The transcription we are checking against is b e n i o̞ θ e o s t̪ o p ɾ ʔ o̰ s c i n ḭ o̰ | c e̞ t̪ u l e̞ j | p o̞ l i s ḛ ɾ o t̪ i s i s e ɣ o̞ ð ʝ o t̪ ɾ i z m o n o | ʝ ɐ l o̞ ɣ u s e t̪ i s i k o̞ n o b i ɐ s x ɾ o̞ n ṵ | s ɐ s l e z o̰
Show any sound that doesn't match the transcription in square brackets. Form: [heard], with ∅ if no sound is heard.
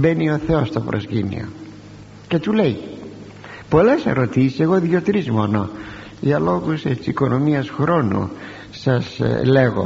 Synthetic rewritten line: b e n i o̞ θ e o s t̪ o p ɾ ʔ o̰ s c i n ḭ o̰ | c e̞ t̪ u l e̞ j | p o̞ l [e] s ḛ ɾ o t̪ i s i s e ɣ o̞ ð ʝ o t̪ ɾ i z m o n o | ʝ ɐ l o̞ ɣ u s e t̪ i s i k o̞ n o [m] i ɐ s x ɾ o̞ n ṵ | s ɐ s l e [ɣ] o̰